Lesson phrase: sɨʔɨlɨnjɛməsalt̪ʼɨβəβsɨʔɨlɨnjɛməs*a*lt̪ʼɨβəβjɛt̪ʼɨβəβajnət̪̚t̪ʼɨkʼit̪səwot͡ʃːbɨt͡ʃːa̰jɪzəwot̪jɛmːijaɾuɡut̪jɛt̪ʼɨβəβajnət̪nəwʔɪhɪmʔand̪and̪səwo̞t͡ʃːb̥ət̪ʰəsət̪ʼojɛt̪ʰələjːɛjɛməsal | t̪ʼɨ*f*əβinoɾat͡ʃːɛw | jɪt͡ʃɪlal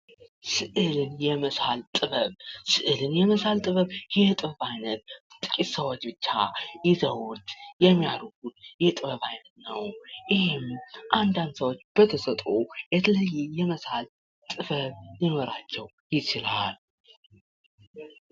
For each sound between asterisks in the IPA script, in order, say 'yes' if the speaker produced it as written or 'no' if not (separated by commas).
yes, yes